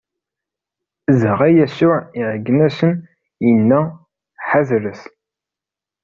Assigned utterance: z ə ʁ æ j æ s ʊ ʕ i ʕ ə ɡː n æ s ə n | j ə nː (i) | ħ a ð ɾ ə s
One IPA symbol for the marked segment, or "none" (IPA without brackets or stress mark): æ